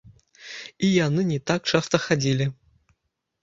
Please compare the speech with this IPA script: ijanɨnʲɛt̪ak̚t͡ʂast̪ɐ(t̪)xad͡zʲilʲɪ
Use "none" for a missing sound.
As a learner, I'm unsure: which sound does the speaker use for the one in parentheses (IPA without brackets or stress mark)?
none